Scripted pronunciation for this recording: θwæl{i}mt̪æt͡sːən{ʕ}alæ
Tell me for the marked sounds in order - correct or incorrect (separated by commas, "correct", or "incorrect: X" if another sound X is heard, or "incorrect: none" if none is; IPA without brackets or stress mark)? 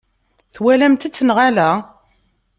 incorrect: æ, incorrect: ʁ